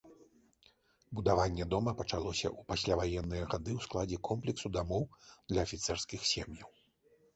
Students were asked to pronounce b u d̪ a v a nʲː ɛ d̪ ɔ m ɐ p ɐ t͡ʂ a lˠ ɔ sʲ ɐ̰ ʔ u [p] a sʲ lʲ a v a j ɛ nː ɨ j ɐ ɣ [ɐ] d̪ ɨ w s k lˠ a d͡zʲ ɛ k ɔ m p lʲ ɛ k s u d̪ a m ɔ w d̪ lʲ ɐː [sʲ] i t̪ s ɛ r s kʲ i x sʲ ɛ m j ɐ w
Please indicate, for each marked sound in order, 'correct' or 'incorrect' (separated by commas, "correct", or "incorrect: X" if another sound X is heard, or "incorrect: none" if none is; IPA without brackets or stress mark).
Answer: correct, incorrect: a, incorrect: fʲ